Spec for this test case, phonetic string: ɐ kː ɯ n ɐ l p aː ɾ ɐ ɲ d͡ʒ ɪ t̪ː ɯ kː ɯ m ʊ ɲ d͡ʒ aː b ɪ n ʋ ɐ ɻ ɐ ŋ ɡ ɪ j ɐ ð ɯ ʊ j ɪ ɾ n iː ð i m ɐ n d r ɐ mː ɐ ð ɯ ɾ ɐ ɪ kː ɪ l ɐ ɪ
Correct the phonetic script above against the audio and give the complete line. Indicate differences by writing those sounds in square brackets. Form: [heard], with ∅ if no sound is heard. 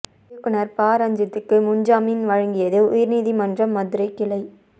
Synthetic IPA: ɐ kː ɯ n ɐ [ɾ] p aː ɾ ɐ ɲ d͡ʒ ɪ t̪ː ɯ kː ɯ m ʊ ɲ d͡ʒ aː [m] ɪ n ʋ ɐ ɻ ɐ ŋ ɡ ɪ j ɐ ð ɯ ʊ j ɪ ɾ n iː ð i m ɐ n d r ɐ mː ɐ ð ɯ ɾ ɐ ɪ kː ɪ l ɐ ɪ